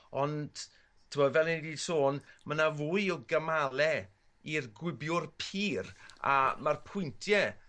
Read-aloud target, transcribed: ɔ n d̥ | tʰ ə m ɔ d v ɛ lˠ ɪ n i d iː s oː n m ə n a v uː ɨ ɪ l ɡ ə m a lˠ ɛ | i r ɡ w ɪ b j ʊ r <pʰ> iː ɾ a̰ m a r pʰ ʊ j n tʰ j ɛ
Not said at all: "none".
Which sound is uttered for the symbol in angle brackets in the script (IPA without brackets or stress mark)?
pʰ